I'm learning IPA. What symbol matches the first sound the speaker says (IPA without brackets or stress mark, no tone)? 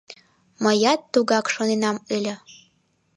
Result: m